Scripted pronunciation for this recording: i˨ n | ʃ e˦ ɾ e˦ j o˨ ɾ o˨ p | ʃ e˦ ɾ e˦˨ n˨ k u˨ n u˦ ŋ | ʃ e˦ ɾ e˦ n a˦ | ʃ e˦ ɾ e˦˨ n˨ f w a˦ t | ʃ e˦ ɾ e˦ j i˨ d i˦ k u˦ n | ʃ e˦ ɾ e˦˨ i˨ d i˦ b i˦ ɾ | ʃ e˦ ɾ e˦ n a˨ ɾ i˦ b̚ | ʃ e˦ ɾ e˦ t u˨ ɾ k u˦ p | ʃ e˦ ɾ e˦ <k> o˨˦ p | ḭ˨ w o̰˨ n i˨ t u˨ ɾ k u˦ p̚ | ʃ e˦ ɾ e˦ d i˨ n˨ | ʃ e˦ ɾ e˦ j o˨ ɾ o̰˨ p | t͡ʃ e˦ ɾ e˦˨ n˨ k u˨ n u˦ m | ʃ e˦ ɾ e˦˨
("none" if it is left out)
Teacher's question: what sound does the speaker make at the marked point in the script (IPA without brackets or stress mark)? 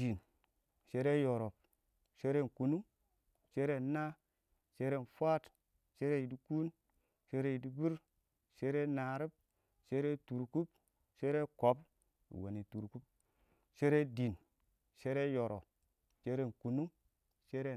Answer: k